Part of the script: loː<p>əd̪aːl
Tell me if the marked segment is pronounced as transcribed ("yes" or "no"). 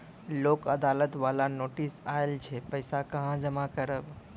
no